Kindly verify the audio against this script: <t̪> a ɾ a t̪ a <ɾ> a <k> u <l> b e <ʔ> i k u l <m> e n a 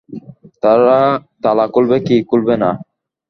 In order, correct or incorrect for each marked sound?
correct, incorrect, correct, correct, incorrect, incorrect

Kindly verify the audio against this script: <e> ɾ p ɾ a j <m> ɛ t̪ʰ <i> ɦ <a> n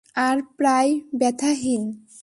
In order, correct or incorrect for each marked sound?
incorrect, incorrect, incorrect, incorrect

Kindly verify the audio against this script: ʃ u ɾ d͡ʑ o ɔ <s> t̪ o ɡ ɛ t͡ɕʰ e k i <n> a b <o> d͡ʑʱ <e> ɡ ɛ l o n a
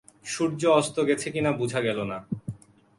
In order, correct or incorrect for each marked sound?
correct, correct, incorrect, incorrect

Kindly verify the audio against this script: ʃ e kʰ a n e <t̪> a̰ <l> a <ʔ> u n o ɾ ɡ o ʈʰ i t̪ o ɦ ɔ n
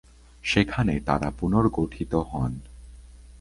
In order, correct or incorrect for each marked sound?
correct, incorrect, incorrect

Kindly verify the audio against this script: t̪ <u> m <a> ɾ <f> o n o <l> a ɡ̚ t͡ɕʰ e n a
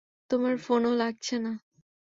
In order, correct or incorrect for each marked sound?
incorrect, correct, correct, correct

